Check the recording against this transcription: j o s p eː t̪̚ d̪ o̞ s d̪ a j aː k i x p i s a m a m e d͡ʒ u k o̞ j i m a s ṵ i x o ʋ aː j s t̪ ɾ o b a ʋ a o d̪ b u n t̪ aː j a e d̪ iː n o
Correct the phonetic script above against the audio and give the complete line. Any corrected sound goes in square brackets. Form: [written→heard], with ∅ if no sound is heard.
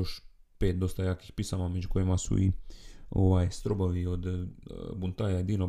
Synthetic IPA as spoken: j o [s→ʃ] p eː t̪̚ d̪ o̞ s [d̪→t̪] a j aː k i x p i s a m a m e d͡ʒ u k o̞ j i m a s ṵ i [x→∅] o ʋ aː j s t̪ ɾ o b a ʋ [a→i] o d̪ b u n t̪ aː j a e d̪ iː n o